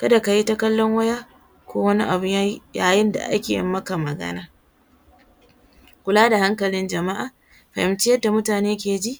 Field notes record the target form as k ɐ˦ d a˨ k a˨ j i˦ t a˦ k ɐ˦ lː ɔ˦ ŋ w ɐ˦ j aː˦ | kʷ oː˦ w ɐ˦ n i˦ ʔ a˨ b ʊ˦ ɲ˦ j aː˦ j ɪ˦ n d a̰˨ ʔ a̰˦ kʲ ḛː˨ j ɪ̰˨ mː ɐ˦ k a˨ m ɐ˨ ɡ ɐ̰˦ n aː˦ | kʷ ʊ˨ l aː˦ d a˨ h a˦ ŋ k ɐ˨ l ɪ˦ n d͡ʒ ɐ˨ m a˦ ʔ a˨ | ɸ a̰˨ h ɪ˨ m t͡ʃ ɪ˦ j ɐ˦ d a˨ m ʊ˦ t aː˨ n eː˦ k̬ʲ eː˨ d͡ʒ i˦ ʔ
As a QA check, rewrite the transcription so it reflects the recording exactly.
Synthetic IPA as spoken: k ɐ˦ d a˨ k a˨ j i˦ t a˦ k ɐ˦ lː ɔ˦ ŋ w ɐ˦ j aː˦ | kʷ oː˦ w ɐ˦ n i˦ ʔ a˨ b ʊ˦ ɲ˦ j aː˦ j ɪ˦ n d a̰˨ ʔ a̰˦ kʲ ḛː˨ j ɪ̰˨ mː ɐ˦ k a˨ m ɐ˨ ɡ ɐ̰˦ n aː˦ | kʷ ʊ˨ l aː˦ d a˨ h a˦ ŋ k ɐ˨ l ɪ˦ n d͡ʒ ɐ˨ m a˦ ʔ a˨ | ɸ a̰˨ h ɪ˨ m t͡ʃ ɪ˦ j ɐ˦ d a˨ m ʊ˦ t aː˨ n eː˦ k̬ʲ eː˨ d͡ʒ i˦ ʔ